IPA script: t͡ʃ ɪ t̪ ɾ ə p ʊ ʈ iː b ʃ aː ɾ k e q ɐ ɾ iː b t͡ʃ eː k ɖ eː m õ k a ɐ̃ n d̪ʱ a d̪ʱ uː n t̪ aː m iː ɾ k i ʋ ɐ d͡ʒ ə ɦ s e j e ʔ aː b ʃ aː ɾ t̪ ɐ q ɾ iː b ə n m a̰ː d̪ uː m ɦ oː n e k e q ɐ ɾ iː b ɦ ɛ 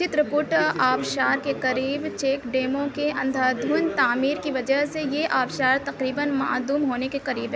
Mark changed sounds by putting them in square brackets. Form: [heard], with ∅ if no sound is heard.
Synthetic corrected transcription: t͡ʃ ɪ t̪ ɾ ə p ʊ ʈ [aː] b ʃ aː ɾ k e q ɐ ɾ iː b t͡ʃ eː k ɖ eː m õ k [e] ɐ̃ n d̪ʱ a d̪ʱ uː n t̪ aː m iː ɾ k i ʋ ɐ d͡ʒ ə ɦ s e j e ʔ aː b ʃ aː ɾ t̪ ɐ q ɾ iː b ə n m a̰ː d̪ uː m ɦ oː n e k e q ɐ ɾ iː b ɦ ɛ